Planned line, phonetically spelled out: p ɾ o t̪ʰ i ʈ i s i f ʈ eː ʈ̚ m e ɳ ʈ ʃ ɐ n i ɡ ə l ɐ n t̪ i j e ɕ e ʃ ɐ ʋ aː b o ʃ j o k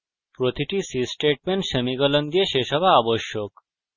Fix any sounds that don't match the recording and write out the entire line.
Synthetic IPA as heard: p ɾ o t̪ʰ i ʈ i s i s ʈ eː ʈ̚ m e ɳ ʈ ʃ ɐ m i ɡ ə l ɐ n d̪ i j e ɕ e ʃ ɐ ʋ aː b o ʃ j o k